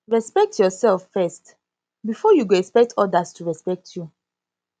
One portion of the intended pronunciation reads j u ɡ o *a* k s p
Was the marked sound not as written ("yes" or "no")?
yes